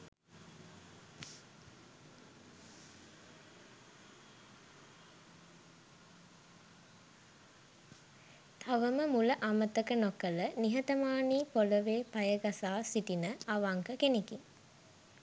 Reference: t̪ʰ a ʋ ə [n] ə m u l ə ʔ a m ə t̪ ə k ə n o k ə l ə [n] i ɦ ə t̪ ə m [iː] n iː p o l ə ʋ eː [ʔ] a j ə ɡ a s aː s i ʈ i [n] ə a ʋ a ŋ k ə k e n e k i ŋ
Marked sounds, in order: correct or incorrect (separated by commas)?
incorrect, correct, incorrect, incorrect, correct